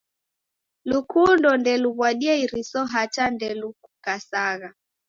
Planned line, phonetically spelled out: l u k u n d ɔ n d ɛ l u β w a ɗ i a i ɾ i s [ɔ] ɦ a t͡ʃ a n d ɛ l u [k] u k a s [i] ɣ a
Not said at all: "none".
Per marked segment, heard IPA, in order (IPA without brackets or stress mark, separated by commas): ɔ, k, a